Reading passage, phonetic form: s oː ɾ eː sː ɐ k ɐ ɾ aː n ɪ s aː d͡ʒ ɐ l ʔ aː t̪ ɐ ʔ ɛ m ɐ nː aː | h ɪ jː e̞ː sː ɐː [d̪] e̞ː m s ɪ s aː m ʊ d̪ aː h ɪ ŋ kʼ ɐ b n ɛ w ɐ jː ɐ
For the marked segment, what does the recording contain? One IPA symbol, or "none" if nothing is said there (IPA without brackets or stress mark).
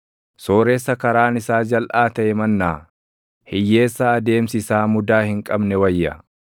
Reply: d̪